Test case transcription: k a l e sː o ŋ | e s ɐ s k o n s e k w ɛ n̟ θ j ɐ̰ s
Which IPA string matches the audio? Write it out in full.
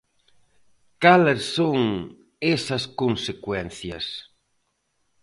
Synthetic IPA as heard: k a l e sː o ŋ | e s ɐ s k o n s e k w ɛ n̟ θ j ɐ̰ s